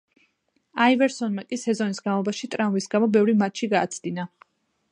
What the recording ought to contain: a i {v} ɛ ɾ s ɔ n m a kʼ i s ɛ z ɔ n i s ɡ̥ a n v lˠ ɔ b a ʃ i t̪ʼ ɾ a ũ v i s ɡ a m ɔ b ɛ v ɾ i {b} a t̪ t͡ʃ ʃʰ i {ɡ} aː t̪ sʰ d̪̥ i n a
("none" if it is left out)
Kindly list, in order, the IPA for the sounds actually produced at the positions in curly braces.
v, m, ɡ

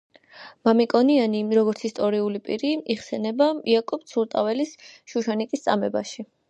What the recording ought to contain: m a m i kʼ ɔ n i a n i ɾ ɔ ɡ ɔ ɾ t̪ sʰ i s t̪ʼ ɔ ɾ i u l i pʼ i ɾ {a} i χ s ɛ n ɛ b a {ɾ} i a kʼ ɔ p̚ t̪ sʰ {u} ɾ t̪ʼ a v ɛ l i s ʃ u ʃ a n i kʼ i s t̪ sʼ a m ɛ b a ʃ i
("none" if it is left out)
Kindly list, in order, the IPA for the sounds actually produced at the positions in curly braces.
i, none, u

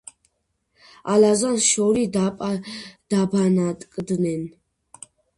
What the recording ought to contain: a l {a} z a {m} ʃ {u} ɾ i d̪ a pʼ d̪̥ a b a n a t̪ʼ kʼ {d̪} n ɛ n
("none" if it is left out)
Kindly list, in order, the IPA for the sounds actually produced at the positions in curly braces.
a, n, ɔ, d̪

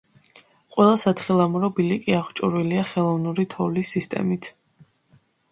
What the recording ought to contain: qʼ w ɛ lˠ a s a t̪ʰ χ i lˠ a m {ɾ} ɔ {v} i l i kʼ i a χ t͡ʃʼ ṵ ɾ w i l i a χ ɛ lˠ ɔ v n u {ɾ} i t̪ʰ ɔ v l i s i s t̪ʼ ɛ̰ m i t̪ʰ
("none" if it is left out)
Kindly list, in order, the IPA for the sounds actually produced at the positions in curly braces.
ɾ, b, ɾ

